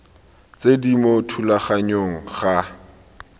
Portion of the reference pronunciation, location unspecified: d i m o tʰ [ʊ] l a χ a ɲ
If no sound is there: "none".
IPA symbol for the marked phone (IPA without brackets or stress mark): u